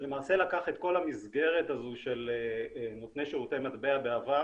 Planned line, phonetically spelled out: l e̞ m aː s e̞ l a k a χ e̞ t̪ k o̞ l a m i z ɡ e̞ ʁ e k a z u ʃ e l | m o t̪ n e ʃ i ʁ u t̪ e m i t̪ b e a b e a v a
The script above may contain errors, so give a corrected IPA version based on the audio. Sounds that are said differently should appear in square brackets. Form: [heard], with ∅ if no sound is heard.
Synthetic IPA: l e̞ m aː s e̞ l a k a χ e̞ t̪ k o̞ l a m i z ɡ e̞ ʁ e [t] a z u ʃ e l | [n] o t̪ n e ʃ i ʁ u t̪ e m [a] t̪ b e a b e a v a

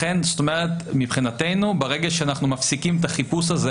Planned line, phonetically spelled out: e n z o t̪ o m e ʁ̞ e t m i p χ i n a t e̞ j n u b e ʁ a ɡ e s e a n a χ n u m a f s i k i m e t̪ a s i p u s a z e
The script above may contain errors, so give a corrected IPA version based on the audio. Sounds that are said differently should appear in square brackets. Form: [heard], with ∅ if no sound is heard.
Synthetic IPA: e n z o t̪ o m e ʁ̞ e t m i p χ i n a t e̞ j n u b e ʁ [e] ɡ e [ʃ] e a n a χ n u m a f s i k i m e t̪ a [χ] i p u s a z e

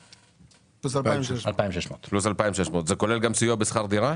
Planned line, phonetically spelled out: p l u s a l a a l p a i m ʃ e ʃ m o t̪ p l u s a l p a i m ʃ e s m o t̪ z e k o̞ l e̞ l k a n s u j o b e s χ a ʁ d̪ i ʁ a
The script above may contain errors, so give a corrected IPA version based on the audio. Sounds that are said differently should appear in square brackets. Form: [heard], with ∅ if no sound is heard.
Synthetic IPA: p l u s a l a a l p a i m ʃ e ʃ m o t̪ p l u s a l p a i m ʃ e [ʃ] m o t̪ z e k o̞ l e̞ l [ɡ] a [m] s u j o b e s χ a ʁ d̪ i ʁ a

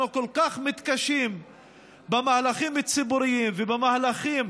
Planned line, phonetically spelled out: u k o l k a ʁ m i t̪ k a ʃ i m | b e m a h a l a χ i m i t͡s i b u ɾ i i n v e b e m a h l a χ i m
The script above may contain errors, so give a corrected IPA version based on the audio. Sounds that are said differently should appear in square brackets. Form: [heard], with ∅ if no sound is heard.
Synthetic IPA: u k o l k a [χ] m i t̪ k a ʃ i m | b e m a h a l a χ i m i t͡s i b u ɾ i i [m] v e b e m a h l a χ i m

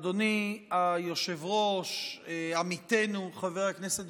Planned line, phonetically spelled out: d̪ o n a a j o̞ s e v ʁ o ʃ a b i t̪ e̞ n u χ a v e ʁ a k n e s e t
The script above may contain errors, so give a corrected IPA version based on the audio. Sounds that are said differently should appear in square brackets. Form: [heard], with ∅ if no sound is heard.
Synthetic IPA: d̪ o n [i] a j o̞ [ʃ] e v ʁ o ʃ a [m] i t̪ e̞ n u χ a v e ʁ a k n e s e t

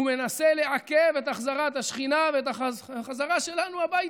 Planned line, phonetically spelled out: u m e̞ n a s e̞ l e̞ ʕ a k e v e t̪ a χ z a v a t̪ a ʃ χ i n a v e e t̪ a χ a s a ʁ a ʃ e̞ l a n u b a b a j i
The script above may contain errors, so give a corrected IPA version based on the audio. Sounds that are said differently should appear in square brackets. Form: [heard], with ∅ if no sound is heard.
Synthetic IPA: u m e̞ n a s e̞ l e̞ ʕ a k e v e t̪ a χ z a [ʁ] a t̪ a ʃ χ i n a v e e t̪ a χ a [z] a ʁ a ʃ e̞ l a n u [∅] a b a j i

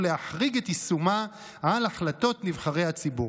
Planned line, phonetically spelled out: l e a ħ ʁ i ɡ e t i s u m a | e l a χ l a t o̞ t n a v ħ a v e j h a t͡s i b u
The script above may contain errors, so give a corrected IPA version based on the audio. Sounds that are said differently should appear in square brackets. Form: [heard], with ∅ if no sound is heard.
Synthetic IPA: l e a ħ ʁ i ɡ e t i s u m a | [a] l a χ l a t o̞ t n [i] v [χ] a [ʁ] e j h a t͡s i b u

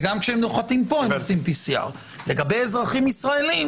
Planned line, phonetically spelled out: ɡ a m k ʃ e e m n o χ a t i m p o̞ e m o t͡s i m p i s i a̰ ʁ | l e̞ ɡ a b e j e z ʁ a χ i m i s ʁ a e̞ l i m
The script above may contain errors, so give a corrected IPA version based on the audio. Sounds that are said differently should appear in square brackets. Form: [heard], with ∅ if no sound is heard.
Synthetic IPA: ɡ a m k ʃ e e m n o χ a t i m p o̞ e m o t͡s i m p i s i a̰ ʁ | l e̞ ɡ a b e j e z ʁ a χ i m i s ʁ a e̞ l i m

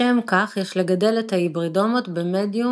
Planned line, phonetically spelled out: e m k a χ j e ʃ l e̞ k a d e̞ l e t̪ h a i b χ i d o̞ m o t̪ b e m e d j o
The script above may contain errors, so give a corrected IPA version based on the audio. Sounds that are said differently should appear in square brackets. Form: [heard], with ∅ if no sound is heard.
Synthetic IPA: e m k a χ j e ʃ l e̞ [ɡ] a d e̞ l e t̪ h a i b [ʁ] i d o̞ m o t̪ b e m e d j [u]

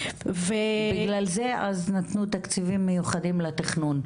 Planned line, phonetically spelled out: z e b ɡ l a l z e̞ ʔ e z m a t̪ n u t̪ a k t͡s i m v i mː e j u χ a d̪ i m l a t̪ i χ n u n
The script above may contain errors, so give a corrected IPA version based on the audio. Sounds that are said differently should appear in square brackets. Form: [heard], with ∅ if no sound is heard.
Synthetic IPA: [v] e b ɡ l a l z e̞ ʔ [a] z [n] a t̪ n u t̪ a k t͡s i [∅] v i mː e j u χ a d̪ i m l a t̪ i χ n u n

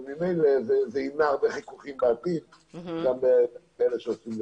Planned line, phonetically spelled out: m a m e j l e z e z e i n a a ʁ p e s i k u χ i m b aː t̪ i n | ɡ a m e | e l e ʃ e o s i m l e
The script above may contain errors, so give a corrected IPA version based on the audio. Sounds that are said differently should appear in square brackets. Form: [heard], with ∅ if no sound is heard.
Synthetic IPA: m [i] m e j l e z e z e i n a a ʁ [b] e [χ] i k u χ i m b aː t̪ i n | ɡ a m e | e l e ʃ e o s i m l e

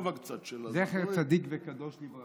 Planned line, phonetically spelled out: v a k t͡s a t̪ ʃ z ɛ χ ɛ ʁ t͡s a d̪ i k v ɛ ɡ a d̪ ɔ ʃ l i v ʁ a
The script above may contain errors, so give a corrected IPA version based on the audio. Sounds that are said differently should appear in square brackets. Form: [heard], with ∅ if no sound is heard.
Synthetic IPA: v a k t͡s a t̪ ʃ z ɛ χ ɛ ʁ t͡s a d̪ i k v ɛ [k] a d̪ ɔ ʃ l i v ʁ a

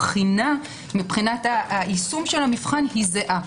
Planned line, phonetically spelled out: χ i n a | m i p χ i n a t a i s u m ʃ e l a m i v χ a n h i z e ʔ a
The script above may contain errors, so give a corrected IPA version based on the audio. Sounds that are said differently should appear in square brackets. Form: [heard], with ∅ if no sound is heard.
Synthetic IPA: χ i n a | m i p χ i n a t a i s u m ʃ e l a m i [f] χ a n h i z e ʔ a

